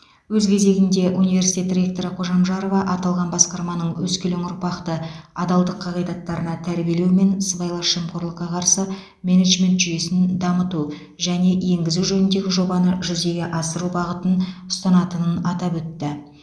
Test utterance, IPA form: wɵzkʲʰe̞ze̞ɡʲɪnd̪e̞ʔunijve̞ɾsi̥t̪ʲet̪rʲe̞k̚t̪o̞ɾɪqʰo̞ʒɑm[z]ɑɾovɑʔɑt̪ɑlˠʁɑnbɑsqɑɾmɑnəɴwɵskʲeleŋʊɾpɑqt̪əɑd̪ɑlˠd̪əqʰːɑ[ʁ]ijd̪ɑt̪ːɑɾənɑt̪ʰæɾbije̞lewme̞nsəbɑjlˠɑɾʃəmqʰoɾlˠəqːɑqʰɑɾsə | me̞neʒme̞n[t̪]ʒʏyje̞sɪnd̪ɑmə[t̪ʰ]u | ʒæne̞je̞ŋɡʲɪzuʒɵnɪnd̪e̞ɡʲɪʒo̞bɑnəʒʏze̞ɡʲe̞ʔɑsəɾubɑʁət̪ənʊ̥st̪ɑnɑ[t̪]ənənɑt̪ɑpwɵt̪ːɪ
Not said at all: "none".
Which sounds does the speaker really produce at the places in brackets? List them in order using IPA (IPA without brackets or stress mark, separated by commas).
ʒ, ʁ, t̪, t̪, t̪